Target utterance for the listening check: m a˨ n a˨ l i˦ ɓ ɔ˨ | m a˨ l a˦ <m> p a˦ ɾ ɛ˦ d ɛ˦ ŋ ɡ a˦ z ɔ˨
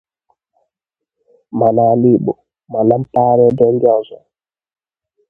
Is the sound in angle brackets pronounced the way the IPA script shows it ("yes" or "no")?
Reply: yes